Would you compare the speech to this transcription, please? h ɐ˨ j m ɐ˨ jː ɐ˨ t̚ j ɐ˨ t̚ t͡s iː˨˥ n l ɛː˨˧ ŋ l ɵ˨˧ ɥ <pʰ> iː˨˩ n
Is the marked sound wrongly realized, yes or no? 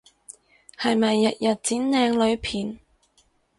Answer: no